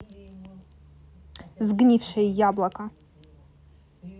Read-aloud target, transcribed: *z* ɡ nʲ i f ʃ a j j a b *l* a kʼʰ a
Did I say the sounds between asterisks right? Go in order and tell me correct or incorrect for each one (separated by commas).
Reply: correct, correct